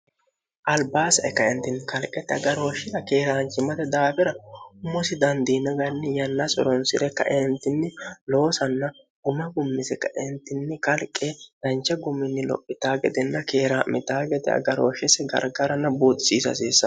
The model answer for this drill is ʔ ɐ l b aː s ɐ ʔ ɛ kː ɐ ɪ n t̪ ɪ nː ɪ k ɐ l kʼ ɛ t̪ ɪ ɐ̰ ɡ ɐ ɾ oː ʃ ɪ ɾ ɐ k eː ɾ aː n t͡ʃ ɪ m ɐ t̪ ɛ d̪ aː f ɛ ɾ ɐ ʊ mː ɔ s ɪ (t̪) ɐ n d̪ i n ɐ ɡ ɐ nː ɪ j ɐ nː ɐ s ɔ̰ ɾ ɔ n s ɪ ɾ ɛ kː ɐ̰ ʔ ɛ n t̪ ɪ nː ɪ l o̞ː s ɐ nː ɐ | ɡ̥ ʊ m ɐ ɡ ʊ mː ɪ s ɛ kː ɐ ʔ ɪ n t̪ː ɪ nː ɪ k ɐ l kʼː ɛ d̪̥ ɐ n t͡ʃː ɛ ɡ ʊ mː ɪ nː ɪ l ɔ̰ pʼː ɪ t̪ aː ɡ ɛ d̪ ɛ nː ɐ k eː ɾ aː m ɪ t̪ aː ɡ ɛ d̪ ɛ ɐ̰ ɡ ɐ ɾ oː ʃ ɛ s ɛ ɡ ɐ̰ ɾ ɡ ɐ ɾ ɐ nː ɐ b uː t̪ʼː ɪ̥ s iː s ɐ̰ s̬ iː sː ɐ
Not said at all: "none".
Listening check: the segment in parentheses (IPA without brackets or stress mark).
d̪